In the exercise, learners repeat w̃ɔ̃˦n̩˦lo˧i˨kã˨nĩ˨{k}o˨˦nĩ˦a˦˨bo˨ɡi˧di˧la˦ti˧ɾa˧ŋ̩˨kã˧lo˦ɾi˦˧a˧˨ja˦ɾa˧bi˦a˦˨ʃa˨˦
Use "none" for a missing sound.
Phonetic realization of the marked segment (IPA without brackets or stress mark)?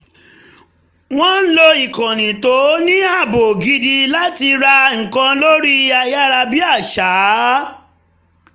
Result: t